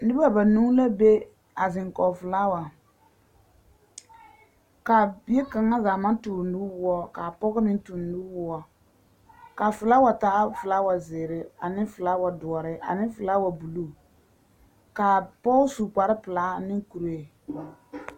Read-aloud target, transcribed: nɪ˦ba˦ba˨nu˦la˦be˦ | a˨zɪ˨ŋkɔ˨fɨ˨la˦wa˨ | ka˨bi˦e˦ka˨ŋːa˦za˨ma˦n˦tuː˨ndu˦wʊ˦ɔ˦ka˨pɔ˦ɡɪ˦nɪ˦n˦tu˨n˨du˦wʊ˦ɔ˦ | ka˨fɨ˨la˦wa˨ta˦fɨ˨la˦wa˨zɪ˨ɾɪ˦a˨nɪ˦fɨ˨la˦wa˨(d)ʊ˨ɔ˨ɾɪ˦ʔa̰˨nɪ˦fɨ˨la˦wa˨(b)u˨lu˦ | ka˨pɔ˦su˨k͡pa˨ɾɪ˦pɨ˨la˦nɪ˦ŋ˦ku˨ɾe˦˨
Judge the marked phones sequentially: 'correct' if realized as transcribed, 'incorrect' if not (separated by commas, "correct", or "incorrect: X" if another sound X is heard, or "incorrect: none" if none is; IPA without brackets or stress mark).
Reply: correct, correct